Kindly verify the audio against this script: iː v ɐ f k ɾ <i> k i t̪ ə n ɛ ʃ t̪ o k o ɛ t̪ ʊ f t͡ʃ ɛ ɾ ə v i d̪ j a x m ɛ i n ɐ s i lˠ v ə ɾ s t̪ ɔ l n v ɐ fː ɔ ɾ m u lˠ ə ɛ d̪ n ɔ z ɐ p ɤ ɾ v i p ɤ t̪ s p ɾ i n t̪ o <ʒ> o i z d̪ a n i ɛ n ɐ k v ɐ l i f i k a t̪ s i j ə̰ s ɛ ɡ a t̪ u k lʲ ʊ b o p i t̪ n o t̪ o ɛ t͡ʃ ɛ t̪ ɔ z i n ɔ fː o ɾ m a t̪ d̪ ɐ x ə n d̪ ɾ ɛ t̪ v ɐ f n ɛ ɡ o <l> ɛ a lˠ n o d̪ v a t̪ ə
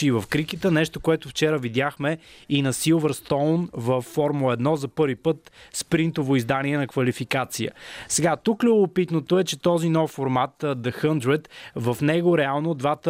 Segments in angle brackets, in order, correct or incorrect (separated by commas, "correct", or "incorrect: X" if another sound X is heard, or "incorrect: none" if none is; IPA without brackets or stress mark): correct, incorrect: v, incorrect: ɾ